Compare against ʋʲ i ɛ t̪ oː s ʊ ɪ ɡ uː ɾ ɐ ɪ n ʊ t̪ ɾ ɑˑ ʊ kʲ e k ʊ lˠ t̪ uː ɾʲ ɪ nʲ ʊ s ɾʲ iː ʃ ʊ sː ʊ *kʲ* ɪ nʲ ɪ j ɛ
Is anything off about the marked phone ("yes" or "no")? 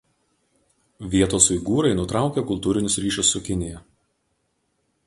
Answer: no